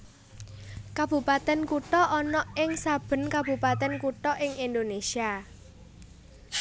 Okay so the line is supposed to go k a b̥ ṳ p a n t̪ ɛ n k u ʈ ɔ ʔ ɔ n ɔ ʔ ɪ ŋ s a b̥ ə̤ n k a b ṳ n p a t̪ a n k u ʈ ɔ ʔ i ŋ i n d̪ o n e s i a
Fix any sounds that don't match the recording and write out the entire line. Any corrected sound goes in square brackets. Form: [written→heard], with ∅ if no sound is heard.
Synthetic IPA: k a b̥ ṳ p a [n→∅] t̪ ɛ n k u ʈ ɔ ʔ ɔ n ɔ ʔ ɪ ŋ s a b̥ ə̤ n k a b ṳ [n→∅] p a t̪ [a→ɛ] n k u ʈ ɔ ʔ [i→ɪ] ŋ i n d̪ o n e s i a